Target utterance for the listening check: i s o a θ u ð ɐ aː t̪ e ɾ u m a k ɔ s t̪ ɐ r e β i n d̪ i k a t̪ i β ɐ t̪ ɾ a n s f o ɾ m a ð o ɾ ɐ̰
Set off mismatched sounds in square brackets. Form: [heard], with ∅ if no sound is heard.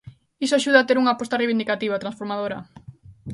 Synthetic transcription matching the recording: i s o a [ʃ] u ð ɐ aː t̪ e ɾ u [ŋ] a [p] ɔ s t̪ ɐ r e β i n d̪ i k a t̪ i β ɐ t̪ ɾ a n s f o ɾ m a ð o ɾ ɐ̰